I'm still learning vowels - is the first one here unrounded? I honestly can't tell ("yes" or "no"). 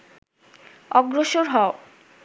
no